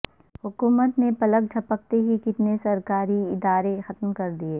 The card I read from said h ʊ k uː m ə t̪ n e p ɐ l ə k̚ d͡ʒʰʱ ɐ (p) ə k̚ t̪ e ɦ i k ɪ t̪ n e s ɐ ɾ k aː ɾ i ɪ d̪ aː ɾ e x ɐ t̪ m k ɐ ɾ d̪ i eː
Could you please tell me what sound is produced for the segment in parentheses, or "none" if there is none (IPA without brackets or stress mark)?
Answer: p